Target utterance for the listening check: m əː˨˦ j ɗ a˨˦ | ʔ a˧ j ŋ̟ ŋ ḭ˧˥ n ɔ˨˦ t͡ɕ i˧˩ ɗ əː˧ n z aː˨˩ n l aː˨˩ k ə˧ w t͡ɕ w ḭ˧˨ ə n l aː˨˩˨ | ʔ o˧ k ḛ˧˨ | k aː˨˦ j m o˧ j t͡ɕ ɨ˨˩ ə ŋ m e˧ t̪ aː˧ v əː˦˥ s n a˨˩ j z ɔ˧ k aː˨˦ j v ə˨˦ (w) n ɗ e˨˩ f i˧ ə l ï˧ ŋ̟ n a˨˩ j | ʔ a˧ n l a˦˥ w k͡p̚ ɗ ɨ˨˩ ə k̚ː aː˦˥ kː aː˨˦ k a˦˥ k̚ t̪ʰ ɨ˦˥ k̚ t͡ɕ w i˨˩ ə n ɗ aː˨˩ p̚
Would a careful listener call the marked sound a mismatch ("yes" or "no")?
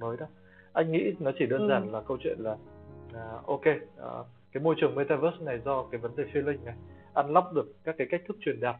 yes